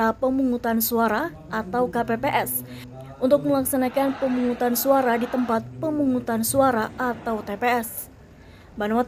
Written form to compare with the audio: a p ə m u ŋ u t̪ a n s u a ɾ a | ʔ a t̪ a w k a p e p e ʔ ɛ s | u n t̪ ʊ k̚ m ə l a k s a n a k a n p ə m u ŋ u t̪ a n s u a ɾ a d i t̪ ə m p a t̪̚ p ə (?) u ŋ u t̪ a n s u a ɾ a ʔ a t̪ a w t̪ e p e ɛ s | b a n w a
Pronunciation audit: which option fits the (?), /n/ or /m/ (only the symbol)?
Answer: m